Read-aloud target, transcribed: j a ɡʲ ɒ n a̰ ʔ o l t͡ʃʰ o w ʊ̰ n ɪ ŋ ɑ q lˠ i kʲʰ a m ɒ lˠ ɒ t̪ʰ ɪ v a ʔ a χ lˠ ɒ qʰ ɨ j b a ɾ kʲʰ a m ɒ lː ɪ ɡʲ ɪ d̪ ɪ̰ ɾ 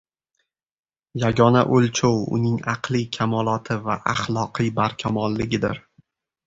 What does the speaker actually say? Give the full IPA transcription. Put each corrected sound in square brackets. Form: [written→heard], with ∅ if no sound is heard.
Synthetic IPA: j a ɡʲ ɒ n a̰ ʔ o l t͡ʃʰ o w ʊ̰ n ɪ ŋ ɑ q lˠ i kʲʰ a m ɒ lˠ ɒ t̪ʰ ɪ v a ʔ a χ lˠ ɒ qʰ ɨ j b a ɾ kʲʰ a m ɒ lː ɪ ɡʲ ɪ d̪ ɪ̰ ɾ

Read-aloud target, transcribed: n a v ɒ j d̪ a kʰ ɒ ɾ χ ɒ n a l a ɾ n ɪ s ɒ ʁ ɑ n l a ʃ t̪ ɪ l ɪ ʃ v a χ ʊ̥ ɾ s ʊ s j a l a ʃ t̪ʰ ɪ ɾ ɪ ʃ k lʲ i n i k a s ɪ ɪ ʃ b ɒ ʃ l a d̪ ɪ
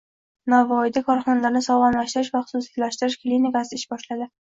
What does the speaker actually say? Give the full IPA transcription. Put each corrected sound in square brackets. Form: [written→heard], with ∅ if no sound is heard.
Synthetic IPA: n a v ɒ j d̪ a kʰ ɒ ɾ χ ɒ n a l a ɾ n ɪ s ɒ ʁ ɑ n l a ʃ t̪ ɪ [l→ɾ] ɪ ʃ v a χ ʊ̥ [ɾ→∅] s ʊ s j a l a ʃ [t̪ʰ→t̪] ɪ ɾ ɪ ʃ k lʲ i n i k a s ɪ ɪ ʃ b ɒ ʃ l a d̪ ɪ

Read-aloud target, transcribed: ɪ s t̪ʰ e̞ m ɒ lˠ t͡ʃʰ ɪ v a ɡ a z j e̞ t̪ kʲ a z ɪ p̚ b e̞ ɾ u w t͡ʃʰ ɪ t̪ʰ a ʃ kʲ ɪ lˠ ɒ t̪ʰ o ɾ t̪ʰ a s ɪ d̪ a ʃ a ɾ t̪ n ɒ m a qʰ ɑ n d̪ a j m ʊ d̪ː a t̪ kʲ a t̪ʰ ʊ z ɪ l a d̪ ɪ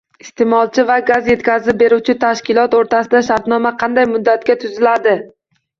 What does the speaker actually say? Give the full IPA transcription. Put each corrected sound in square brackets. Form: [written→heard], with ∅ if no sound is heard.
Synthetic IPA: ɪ s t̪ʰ e̞ m ɒ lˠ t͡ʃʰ ɪ v a ɡ a z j e̞ t̪ kʲ a z ɪ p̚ b e̞ ɾ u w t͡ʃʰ ɪ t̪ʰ a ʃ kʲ ɪ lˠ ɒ [t̪ʰ→t̪] o ɾ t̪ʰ a s ɪ d̪ a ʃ a ɾ t̪ n ɒ m a qʰ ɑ n d̪ a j m ʊ d̪ː a t̪ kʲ a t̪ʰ ʊ z ɪ l a d̪ ɪ

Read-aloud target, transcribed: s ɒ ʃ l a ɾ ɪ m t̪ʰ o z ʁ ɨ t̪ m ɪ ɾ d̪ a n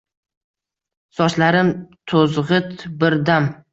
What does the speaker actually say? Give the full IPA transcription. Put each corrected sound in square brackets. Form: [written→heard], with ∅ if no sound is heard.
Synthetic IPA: s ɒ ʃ l a ɾ ɪ m t̪ʰ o z ʁ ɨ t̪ [m→b] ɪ ɾ d̪ a [n→m]

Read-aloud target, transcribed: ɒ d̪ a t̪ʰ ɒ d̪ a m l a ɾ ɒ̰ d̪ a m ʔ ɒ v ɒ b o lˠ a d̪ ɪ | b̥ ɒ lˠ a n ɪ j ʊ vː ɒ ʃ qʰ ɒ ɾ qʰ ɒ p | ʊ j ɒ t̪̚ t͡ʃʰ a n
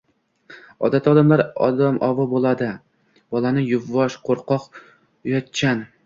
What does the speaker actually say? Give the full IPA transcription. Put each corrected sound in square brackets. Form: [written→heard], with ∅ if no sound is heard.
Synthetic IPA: ɒ d̪ a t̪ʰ ɒ d̪ a m l a ɾ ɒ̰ d̪ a m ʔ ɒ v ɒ b o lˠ a d̪ ɪ | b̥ ɒ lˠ a n ɪ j ʊ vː ɒ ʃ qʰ [ɒ→o] ɾ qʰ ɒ [p→q] | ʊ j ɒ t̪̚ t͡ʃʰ a n

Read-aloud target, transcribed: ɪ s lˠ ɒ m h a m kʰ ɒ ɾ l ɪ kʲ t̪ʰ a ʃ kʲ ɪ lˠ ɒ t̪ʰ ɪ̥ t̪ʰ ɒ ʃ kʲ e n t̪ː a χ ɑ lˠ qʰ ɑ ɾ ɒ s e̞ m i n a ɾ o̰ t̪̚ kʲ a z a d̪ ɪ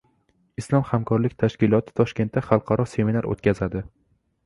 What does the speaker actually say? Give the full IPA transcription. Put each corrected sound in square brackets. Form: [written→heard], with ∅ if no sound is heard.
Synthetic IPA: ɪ s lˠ ɒ m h a m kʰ ɒ ɾ l ɪ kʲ t̪ʰ a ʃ kʲ ɪ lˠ ɒ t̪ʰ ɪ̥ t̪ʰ ɒ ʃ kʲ e n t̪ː a χ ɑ lˠ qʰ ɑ ɾ ɒ s e̞ m i n a ɾ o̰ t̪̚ kʲ a z a d̪ ɪ

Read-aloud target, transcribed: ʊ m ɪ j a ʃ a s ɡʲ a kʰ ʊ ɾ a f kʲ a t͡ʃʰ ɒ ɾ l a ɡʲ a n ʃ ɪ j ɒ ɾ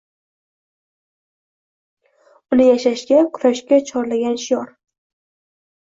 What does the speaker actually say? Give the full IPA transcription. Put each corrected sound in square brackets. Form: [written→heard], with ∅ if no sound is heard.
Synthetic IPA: ʊ [m→n] ɪ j a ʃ a [s→ʃ] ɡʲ a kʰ ʊ ɾ a [f→ʃ] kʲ a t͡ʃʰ ɒ ɾ l a ɡʲ a n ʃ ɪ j ɒ ɾ

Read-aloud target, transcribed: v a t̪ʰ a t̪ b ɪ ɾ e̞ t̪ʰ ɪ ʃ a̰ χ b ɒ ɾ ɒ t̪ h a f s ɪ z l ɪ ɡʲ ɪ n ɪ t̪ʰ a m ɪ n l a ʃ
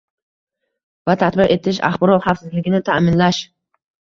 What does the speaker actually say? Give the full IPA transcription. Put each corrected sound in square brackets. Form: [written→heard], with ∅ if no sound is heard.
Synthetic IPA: v a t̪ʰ a t̪ b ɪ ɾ e̞ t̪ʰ ɪ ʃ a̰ χ b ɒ ɾ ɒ t̪ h a f s ɪ z l ɪ ɡʲ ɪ n ɪ t̪ʰ a m ɪ n l a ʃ

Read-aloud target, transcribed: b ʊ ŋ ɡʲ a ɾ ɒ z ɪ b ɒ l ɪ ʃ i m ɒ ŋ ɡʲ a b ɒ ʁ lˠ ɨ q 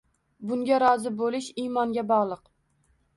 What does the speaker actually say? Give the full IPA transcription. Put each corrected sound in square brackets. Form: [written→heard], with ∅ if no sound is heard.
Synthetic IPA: b ʊ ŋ ɡʲ a ɾ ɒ z ɪ b [ɒ→o] l ɪ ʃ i m ɒ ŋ ɡʲ a b ɒ ʁ lˠ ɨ q

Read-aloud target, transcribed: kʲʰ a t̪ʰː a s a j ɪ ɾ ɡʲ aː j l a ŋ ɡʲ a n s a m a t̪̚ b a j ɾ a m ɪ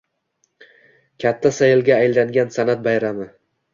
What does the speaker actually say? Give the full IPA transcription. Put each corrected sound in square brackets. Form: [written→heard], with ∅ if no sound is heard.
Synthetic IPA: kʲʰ a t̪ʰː a s a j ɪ [ɾ→l] ɡʲ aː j l a ŋ ɡʲ a n s a [m→n] a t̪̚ b a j ɾ a m ɪ

